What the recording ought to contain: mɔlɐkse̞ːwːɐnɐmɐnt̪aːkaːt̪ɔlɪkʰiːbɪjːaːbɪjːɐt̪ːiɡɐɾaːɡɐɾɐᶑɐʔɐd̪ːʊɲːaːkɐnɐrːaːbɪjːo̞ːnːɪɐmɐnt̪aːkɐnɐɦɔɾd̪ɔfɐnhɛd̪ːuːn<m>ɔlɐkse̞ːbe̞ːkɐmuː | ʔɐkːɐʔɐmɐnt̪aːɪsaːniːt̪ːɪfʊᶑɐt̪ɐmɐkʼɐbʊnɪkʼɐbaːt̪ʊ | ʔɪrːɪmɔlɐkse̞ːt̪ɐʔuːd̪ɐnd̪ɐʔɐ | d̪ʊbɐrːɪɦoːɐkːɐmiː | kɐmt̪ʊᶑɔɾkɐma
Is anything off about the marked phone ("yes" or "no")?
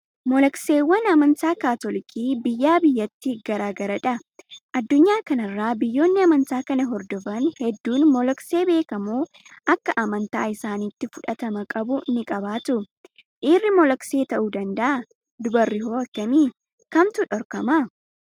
no